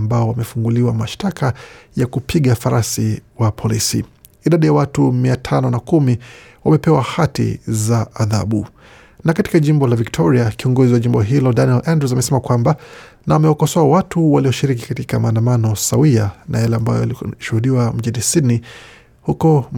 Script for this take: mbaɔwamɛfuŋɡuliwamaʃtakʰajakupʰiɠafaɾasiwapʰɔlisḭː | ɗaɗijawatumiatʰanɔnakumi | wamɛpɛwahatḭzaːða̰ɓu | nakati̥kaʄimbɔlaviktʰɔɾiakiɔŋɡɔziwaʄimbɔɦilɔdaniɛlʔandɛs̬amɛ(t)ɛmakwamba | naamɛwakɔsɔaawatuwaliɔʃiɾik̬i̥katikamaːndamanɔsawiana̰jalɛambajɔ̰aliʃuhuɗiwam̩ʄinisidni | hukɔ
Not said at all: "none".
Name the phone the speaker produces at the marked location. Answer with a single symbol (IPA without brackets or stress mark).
s